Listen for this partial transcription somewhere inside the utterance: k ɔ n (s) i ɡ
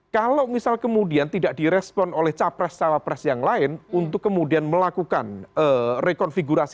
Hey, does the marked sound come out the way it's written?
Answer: no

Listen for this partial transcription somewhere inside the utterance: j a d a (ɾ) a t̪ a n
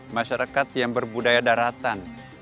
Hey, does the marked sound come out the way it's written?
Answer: yes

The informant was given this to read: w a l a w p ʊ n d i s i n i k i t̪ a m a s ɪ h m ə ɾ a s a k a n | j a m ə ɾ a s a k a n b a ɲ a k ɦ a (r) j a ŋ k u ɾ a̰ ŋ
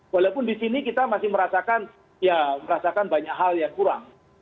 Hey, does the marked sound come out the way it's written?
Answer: no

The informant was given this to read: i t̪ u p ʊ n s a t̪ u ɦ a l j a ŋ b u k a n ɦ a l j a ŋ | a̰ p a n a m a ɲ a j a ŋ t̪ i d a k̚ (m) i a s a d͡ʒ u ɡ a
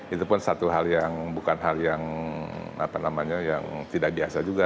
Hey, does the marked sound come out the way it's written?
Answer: no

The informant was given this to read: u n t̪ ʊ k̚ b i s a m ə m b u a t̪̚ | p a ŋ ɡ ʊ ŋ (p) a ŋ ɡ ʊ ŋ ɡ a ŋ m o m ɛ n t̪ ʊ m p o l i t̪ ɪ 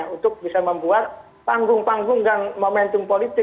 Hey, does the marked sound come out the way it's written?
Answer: yes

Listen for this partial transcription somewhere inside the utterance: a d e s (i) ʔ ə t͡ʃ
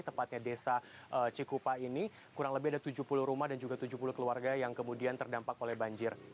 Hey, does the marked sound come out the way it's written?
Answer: no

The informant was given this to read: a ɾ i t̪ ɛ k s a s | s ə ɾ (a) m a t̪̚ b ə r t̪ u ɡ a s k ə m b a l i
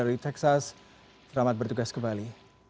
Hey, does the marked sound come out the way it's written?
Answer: yes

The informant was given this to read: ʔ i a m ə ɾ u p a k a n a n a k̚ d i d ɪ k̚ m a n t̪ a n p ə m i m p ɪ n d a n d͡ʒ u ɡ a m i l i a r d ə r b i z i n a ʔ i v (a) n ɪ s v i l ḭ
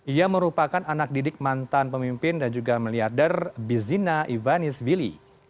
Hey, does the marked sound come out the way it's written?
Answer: yes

